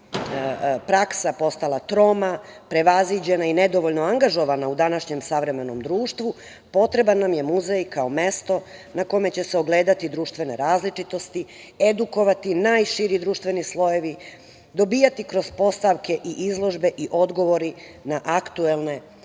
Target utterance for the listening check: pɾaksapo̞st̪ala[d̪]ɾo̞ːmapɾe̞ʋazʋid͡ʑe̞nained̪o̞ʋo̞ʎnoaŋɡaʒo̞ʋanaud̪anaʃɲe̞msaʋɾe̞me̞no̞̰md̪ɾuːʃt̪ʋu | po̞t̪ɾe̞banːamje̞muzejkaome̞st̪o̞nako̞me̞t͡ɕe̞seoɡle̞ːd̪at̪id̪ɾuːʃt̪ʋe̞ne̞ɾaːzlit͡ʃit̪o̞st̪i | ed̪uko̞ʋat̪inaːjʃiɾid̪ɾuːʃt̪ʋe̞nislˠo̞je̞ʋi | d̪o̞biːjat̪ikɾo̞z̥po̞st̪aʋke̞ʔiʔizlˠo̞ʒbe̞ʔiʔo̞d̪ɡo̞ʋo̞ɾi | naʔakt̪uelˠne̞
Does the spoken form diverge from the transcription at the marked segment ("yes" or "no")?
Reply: yes